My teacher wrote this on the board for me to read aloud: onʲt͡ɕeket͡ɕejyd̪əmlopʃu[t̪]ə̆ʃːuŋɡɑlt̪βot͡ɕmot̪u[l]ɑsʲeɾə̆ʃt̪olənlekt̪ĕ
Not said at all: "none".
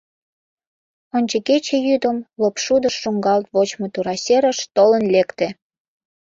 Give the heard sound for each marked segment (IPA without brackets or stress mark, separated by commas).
d̪, ɾ